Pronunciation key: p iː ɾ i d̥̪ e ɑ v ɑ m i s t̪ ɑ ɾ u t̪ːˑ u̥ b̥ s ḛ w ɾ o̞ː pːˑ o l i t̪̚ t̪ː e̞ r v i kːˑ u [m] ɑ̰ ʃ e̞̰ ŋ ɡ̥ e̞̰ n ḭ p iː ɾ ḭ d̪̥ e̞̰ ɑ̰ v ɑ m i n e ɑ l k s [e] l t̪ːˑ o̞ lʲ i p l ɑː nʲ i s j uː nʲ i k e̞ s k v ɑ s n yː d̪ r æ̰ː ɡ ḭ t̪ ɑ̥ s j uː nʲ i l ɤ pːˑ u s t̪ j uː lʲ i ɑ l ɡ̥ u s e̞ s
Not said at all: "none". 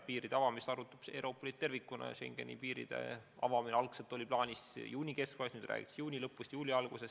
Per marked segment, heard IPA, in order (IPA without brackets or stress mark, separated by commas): n, e